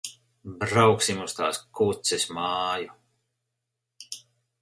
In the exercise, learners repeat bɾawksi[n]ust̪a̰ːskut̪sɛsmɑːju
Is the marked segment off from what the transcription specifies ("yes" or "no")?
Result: yes